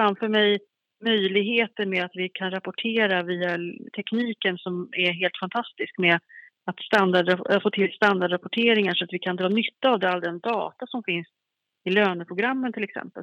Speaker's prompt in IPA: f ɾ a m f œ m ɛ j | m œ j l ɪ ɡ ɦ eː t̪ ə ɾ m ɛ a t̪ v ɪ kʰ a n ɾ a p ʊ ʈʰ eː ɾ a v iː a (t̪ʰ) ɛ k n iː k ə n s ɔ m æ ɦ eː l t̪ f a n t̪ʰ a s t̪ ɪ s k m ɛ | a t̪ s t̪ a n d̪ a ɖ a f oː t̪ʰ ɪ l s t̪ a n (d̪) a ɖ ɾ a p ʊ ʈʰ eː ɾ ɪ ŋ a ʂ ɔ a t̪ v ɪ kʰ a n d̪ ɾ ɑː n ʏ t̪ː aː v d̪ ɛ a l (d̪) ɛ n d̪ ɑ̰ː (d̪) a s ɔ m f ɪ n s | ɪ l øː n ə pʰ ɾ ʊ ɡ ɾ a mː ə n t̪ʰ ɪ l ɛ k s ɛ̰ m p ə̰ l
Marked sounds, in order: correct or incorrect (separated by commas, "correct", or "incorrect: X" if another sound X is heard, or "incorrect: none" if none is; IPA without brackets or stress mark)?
correct, correct, correct, incorrect: t̪